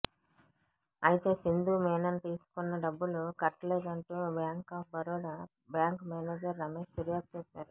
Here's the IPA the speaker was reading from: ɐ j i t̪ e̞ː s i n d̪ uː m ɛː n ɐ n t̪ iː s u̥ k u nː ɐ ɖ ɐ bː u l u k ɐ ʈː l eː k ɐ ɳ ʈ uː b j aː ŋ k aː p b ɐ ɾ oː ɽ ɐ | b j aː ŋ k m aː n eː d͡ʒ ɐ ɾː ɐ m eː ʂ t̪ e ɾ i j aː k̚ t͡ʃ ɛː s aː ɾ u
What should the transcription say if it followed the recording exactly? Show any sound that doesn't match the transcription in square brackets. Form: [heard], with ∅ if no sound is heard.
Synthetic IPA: ɐ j i t̪ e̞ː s i n d̪ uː m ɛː n ɐ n t̪ iː s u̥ k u nː ɐ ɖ ɐ bː u l u k ɐ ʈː l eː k ɐ ɳ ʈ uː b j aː ŋ k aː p b ɐ ɾ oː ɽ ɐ | b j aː ŋ k m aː n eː d͡ʒ ɐ ɾː ɐ m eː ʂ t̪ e ɾ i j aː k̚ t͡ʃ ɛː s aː ɾ u